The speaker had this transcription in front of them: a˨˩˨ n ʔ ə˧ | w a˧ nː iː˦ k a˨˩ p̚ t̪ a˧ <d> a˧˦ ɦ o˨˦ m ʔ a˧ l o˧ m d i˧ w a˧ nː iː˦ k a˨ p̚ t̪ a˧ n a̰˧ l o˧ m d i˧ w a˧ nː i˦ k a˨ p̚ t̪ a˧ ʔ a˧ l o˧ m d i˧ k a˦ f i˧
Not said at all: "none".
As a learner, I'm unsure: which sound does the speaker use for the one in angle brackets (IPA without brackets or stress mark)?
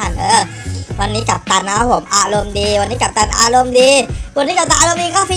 n